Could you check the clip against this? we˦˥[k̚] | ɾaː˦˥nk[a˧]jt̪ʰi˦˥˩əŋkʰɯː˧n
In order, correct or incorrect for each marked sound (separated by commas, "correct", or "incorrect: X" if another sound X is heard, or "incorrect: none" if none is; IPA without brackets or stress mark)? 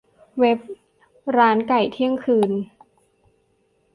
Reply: incorrect: p̚, incorrect: a˨˩